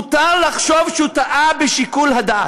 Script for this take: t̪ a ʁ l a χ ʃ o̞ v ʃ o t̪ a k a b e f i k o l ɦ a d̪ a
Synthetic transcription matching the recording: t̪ a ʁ l a χ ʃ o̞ v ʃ u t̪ a ʔ a b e ʃ i k u l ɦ a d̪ a